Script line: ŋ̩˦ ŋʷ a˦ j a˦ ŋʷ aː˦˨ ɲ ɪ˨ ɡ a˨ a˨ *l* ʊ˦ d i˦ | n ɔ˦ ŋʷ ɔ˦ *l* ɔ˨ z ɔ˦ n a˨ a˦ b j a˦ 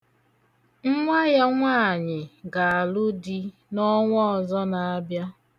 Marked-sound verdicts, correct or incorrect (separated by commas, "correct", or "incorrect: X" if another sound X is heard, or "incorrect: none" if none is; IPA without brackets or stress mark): correct, incorrect: none